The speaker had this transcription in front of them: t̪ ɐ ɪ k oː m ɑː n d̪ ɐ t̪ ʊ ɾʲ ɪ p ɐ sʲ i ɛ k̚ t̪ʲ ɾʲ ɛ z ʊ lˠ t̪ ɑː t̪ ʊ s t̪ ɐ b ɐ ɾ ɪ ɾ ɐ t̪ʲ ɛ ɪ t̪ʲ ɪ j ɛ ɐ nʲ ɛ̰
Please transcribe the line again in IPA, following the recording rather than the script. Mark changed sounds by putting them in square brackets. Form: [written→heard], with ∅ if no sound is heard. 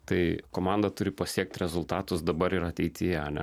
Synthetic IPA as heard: t̪ ɐ ɪ k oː m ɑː n d̪ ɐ t̪ ʊ ɾʲ ɪ p ɐ sʲ i ɛ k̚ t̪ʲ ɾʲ ɛ z ʊ lˠ t̪ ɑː t̪ ʊ s [t̪→d̪] ɐ b ɐ ɾ ɪ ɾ ɐ t̪ʲ ɛ ɪ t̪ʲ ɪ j ɛ ɐ nʲ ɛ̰

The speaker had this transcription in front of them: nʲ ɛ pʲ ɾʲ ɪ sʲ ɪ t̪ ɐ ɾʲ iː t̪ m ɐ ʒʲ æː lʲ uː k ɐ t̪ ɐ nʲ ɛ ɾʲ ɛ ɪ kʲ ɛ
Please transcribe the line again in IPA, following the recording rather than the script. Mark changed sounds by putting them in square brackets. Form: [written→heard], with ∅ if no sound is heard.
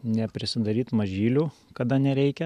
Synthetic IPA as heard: nʲ ɛ pʲ ɾʲ ɪ sʲ ɪ [t̪→d̪] ɐ ɾʲ iː t̪ m ɐ ʒʲ [æː→iː] lʲ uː k ɐ [t̪→d̪] ɐ nʲ ɛ ɾʲ ɛ ɪ kʲ ɛ

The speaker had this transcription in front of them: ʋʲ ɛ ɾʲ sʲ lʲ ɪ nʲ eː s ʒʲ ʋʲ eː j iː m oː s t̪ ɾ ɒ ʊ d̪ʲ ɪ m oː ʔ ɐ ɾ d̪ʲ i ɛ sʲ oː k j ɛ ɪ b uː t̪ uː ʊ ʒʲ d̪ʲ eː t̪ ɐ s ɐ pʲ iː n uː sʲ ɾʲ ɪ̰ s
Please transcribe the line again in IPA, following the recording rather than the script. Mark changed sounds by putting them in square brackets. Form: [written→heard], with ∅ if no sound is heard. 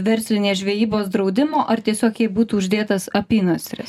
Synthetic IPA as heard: ʋʲ ɛ ɾʲ sʲ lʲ ɪ nʲ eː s ʒʲ ʋʲ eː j iː [m→b] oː s [t̪→d̪] ɾ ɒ ʊ d̪ʲ ɪ m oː ʔ ɐ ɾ [d̪ʲ→t̪ʲ] i ɛ sʲ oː k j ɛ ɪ b uː t̪ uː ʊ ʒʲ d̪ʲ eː t̪ ɐ s ɐ pʲ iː n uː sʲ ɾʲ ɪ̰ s

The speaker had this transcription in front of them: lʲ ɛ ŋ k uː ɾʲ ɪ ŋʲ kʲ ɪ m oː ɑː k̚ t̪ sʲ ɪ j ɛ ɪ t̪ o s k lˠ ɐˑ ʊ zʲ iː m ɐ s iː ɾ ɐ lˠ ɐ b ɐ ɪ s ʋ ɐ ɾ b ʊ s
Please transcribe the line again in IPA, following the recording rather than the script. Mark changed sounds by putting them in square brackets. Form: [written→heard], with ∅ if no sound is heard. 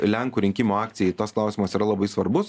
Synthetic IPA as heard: lʲ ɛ ŋ k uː ɾʲ ɪ ŋʲ kʲ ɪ m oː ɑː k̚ t̪ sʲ ɪ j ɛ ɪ t̪ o s k lˠ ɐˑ ʊ [zʲ→sʲ] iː m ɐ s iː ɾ ɐ lˠ ɐ b ɐ ɪ s ʋ ɐ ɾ b ʊ s

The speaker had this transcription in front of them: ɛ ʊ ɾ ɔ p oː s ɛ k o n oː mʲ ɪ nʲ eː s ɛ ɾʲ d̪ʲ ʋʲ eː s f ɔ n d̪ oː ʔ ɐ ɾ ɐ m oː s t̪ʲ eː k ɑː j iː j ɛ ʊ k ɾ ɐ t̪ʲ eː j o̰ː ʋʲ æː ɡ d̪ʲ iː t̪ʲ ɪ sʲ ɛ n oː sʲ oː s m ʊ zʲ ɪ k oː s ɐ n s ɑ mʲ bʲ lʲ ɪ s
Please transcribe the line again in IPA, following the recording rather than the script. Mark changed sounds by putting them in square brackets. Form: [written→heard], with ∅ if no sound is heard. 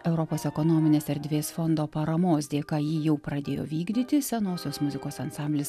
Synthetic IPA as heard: ɛ ʊ ɾ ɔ p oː s ɛ k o n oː mʲ ɪ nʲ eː s ɛ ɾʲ d̪ʲ ʋʲ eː s f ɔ n d̪ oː [ʔ→p] ɐ ɾ ɐ m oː s [t̪ʲ→d̪ʲ] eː k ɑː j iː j ɛ ʊ [k→p] ɾ ɐ [t̪ʲ→d̪ʲ] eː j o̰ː ʋʲ [æː→iː] ɡ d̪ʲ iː t̪ʲ ɪ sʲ ɛ n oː sʲ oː s m ʊ zʲ ɪ k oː s ɐ n s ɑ mʲ bʲ lʲ ɪ s

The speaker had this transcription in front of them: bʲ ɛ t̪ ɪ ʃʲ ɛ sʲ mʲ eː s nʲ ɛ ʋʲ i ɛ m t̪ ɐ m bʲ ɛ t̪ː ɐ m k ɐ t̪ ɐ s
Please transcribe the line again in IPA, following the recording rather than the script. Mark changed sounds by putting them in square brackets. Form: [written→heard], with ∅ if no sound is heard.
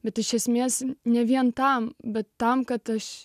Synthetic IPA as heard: bʲ ɛ t̪ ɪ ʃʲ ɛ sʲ mʲ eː s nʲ ɛ ʋʲ i ɛ [m→n] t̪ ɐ m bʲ ɛ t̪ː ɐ m k ɐ t̪ ɐ [s→ʃ]

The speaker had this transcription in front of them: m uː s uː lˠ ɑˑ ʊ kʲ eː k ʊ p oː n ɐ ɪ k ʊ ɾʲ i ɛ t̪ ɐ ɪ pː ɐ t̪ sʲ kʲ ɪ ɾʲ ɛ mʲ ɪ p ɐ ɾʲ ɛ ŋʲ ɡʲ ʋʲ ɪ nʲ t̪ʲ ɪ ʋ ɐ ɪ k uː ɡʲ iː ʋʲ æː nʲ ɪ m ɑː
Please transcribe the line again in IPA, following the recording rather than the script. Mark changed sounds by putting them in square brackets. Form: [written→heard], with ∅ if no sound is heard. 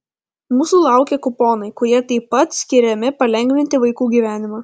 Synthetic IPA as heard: m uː s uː lˠ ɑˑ ʊ kʲ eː k ʊ p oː n ɐ ɪ k ʊ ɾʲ i ɛ t̪ ɐ ɪ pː ɐ t̪ sʲ kʲ ɪ ɾʲ ɛ mʲ ɪ p ɐ [ɾʲ→lʲ] ɛ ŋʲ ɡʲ ʋʲ ɪ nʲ t̪ʲ ɪ ʋ ɐ ɪ k uː ɡʲ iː ʋʲ æː nʲ ɪ m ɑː

